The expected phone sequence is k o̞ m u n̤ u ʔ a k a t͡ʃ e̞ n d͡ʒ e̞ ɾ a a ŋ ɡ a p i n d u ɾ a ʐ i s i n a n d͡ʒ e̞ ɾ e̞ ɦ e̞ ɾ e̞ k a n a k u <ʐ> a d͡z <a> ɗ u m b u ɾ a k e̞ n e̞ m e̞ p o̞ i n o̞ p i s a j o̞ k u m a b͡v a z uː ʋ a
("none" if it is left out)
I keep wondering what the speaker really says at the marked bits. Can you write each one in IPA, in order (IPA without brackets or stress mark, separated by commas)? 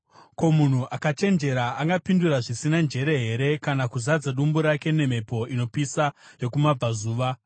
z, a